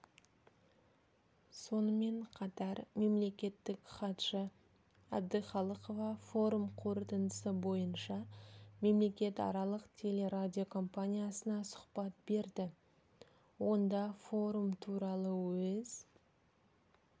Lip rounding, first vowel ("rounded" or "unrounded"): rounded